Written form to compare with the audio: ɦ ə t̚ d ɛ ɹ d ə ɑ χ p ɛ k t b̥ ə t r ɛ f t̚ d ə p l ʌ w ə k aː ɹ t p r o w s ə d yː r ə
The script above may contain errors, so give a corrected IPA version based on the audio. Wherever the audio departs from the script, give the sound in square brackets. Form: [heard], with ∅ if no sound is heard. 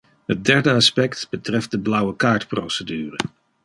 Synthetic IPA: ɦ ə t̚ d ɛ ɹ d ə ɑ [s] p ɛ k t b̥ ə t r ɛ f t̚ d ə [b] l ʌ w ə k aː ɹ t p r o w s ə d yː r ə